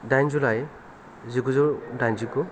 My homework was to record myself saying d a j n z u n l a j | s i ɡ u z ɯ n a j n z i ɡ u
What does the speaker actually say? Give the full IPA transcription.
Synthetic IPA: d a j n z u l a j | z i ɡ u z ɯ d a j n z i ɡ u

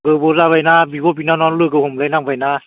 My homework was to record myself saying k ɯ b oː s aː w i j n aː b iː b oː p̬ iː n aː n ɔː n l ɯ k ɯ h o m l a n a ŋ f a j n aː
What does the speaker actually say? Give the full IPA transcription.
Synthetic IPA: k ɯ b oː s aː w a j n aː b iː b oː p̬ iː n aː n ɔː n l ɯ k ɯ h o m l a n a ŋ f a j n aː

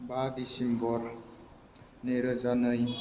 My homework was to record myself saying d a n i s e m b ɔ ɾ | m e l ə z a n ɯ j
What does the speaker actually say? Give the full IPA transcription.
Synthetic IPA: b a d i s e m b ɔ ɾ | n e ɾ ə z a n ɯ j

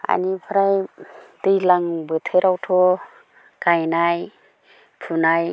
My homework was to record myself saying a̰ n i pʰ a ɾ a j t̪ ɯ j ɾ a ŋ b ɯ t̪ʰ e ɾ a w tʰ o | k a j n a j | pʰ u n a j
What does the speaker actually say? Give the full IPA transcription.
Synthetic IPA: a̰ n i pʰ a ɾ a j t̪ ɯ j l a ŋ b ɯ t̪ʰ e ɾ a w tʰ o | k a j n a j | pʰ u n a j

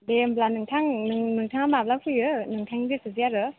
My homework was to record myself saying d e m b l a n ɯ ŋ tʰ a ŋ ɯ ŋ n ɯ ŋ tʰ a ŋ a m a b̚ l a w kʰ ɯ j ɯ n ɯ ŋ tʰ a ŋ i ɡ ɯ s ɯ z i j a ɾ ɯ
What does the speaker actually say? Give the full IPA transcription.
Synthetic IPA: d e m b l a n ɯ ŋ tʰ a ŋ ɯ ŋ n ɯ ŋ tʰ a ŋ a m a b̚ l a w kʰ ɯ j ɯ n ɯ ŋ tʰ a ŋ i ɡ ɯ s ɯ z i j a ɾ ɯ

